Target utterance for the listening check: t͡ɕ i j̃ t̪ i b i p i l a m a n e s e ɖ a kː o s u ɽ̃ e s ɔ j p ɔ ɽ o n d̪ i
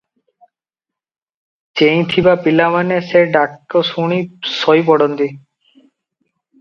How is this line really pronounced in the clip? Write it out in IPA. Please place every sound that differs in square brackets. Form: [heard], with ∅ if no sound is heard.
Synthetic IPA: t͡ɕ [e] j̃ [t̪ʰ] i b [a] p i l a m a n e s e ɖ a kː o s u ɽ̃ [i] s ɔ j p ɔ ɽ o n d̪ i